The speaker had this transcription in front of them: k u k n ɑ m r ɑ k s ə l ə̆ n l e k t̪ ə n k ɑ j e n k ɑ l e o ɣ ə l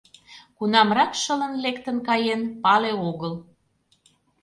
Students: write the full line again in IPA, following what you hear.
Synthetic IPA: k u n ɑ m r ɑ k ʃ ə l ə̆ n l e k t̪ ə n k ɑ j e n p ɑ l e o ɣ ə l